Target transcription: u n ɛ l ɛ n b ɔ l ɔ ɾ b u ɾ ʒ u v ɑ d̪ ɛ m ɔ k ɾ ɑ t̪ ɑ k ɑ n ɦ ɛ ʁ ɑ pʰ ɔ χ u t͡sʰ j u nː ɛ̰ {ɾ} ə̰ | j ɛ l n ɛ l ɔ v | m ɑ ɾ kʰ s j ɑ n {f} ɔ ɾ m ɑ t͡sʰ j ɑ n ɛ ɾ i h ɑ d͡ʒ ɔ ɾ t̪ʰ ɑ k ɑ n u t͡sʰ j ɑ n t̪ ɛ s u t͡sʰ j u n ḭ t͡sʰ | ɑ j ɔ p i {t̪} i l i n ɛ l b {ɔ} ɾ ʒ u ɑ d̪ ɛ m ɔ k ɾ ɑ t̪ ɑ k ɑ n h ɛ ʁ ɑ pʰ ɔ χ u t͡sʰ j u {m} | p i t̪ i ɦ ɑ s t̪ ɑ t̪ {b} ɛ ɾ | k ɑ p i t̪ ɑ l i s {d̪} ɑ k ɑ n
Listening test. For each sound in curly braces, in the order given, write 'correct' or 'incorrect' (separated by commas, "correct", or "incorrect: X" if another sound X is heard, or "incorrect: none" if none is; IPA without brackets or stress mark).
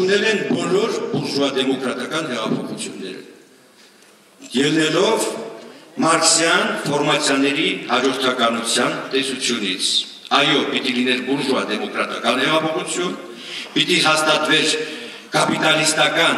correct, correct, correct, incorrect: u, incorrect: n, incorrect: v, incorrect: t̪